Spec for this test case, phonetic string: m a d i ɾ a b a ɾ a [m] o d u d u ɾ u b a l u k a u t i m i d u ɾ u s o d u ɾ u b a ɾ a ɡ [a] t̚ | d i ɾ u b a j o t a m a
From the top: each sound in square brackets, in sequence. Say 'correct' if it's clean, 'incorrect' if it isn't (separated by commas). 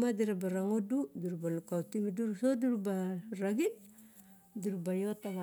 incorrect, incorrect